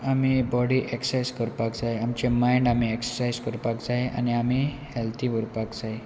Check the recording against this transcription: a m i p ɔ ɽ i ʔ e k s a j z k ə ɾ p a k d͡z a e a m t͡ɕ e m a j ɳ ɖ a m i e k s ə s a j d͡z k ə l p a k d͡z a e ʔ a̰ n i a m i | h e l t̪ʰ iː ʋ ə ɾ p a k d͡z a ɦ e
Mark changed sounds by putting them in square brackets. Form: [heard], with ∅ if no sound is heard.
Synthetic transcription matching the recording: a m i [b] ɔ ɽ i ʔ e k s a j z k ə ɾ p a k d͡z a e a m t͡ɕ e m a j ɳ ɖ a m i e k s ə s a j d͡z k ə [ɾ] p a k d͡z a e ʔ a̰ n i a m i | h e l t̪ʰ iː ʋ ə ɾ p a k d͡z a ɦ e